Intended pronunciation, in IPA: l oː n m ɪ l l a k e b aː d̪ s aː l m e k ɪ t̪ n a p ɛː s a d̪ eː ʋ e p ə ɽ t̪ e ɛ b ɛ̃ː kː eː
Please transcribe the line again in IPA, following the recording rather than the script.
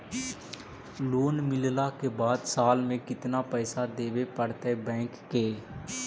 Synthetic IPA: l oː n m ɪ l l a k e b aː d̪ s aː l m ẽ k ɪ t̪ n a p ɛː s a d̪ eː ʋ e p ə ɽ t̪ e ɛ b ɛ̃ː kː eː